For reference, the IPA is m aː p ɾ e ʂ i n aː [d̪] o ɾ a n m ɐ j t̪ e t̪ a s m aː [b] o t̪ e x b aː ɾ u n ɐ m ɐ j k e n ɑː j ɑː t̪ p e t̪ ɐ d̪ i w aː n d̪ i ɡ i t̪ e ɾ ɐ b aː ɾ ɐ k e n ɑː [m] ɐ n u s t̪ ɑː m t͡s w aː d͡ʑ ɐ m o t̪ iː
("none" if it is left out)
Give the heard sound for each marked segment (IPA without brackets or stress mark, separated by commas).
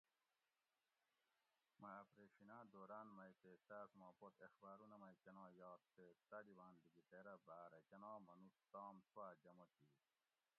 d̪, p, m